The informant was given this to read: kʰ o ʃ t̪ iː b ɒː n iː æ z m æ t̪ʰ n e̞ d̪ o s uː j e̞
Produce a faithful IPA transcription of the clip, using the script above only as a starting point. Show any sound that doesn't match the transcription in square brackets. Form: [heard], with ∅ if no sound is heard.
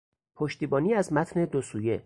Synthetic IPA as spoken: [pʰ] o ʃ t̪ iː b ɒː n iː æ z m æ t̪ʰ n e̞ d̪ o s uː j e̞